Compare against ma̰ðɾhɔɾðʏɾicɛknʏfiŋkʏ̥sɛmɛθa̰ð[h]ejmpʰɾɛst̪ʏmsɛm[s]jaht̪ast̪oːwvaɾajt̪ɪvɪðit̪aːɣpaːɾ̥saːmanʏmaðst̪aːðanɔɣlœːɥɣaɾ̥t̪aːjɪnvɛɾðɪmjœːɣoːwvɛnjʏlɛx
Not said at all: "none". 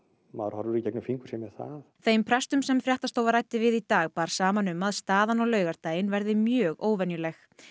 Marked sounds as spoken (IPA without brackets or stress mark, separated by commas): θ, f